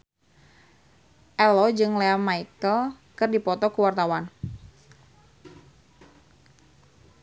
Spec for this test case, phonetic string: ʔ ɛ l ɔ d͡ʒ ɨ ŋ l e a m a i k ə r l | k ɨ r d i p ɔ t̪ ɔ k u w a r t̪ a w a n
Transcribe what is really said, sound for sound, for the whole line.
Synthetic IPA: ʔ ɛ l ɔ d͡ʒ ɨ ŋ l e a m a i k ə l | k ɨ r d i p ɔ t̪ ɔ k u w a r t̪ a w a n